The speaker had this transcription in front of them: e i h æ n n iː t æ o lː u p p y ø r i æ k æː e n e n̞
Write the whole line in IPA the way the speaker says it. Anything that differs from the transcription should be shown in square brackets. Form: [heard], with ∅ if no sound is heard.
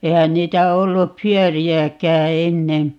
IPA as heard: e i h æ n n iː t æ o lː u p p y ø r i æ k æː e [nː] e n̞